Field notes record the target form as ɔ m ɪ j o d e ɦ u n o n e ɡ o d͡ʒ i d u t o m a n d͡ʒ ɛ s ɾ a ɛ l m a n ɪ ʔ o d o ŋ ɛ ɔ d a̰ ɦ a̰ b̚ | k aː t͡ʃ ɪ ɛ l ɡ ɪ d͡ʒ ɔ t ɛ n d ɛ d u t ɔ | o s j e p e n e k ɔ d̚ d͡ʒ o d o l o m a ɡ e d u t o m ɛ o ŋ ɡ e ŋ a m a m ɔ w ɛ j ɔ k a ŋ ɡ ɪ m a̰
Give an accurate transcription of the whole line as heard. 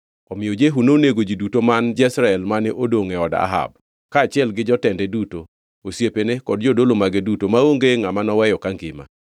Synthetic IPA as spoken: ɔ m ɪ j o d͡ʒ e ɦ u n o n e ɡ o d͡ʒ i d u t o m a n d͡ʒ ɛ s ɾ a ɛ l m a n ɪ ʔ o d o ŋ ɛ ɔ d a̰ ɦ a̰ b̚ | k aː t͡ʃ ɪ ɛ l ɡ ɪ d͡ʒ ɔ t ɛ n d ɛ d u t o | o s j e p e n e k ɔ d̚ d͡ʒ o d o l o m a ɡ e d u t o m a o ŋ ɡ e ŋ a m a n ɔ w ɛ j ɔ k a ŋ ɡ ɪ m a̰

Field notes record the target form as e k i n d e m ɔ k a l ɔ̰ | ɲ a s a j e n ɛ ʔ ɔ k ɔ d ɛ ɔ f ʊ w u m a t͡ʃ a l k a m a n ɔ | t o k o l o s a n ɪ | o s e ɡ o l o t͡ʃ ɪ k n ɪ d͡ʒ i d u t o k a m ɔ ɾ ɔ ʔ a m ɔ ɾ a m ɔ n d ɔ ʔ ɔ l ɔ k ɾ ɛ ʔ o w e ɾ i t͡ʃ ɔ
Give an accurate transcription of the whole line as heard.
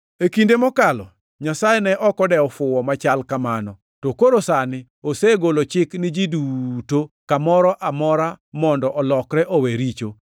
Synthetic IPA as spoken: e k i n d e m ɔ k a l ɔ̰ | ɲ a s a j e n ɛ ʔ ɔ k ɔ d ɛ ɔ f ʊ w ɔ m a t͡ʃ a l k a m a n ɔ | t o k o ɾ o s a n ɪ | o s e ɡ o l o t͡ʃ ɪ k n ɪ d͡ʒ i d u t o k a m ɔ ɾ ɔ ʔ a m ɔ ɾ a m ɔ n d ɔ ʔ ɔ l ɔ k ɾ ɛ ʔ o w e ɾ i t͡ʃ o

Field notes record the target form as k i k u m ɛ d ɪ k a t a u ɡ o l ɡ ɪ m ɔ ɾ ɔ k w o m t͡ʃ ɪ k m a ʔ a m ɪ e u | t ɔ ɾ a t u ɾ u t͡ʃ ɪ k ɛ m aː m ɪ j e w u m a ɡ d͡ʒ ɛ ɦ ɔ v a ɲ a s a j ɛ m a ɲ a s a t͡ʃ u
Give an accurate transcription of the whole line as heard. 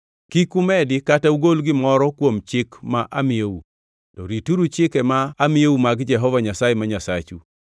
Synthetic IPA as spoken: k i k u m ɛ d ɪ k a t a u ɡ o l ɡ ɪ m ɔ ɾ ɔ k w o m t͡ʃ ɪ k m a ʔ a m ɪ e u | t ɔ ɾ i t u ɾ u t͡ʃ ɪ k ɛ m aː m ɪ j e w u m a ɡ d͡ʒ ɛ ɦ ɔ v a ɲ a s a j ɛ m a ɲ a s a t͡ʃ u

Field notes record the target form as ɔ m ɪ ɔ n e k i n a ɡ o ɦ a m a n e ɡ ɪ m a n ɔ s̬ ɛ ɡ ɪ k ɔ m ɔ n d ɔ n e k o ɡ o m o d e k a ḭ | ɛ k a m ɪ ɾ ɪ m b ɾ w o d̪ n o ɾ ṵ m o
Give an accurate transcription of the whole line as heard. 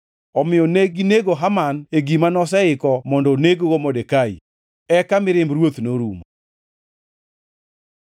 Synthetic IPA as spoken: ɔ m ɪ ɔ n e ɡ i n e ɡ o ɦ a m a n e ɡ i m a n ɔ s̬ ɛ ɪ k ɔ m ɔ n d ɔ n e ɡ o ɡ o m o d e k a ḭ | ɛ k a m ɪ ɾ ɪ m b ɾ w o t̪ n o ɾ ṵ m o

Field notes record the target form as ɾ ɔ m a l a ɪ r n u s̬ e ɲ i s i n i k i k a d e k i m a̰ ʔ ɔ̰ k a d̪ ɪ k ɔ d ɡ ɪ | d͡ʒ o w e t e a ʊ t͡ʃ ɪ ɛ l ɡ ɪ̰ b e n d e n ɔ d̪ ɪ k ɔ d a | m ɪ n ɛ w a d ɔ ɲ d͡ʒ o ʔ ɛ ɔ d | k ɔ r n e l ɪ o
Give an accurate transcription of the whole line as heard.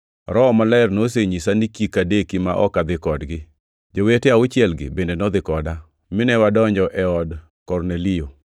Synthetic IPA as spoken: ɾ ɔ m a l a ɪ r n o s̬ e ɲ i s a n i k i k a d e k i m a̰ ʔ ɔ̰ k a d̪ ɪ k ɔ d ɡ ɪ | d͡ʒ o w e t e a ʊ t͡ʃ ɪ ɛ l ɡ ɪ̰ b e n d e n ɔ d̪ ɪ k ɔ d a | m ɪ n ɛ w a d ɔ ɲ d͡ʒ ɔ ʔ ɛ ɔ d | k ɔ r n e l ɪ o

